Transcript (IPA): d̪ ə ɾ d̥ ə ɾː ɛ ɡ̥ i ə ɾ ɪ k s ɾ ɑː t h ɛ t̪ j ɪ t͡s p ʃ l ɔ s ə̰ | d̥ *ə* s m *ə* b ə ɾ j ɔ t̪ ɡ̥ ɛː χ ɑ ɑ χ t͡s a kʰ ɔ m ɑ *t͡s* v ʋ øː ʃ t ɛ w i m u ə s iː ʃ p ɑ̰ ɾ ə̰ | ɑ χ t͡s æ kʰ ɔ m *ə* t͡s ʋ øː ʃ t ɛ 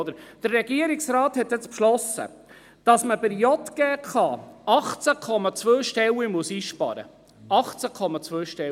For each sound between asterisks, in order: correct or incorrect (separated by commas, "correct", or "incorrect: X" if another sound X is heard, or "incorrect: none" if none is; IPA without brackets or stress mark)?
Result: incorrect: ɑ, correct, correct, incorrect: ɑ